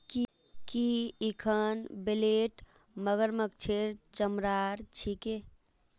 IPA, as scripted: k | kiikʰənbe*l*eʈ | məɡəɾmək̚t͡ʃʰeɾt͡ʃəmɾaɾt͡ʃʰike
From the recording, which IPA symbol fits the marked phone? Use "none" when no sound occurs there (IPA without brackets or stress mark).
l